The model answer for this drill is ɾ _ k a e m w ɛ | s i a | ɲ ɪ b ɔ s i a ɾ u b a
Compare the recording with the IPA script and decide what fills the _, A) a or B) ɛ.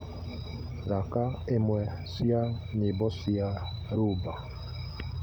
A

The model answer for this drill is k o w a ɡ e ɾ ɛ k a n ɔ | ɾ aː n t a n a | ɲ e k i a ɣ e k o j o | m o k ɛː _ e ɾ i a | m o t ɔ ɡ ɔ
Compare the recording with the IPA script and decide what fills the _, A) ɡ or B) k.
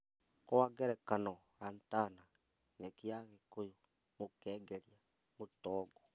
A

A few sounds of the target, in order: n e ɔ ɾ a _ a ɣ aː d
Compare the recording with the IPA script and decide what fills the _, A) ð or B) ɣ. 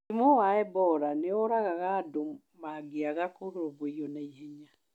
B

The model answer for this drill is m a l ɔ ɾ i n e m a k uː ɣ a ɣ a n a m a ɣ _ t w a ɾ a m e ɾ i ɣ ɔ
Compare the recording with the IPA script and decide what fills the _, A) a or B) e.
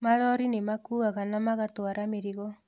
A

